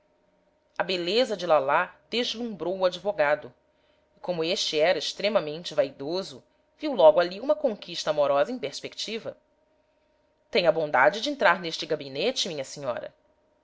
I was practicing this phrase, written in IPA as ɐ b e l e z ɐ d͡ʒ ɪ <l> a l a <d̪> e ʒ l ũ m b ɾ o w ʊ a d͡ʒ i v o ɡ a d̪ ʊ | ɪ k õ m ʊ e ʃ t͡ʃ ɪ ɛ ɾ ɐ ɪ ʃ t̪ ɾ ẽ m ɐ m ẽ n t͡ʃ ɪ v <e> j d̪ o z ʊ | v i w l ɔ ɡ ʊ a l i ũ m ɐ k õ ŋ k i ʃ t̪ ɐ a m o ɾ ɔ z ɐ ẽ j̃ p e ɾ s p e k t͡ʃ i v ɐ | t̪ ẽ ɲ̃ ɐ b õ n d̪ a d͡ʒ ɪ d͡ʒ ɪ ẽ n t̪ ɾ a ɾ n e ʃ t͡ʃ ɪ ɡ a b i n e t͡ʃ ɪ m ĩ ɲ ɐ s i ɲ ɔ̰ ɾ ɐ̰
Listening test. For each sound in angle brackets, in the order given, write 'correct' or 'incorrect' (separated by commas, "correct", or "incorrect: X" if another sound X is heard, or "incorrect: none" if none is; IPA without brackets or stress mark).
correct, correct, incorrect: a